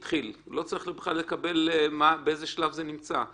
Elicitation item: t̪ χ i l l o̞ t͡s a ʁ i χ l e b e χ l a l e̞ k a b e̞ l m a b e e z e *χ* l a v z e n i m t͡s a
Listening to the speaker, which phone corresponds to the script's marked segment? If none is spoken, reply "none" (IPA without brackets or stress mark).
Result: ʃ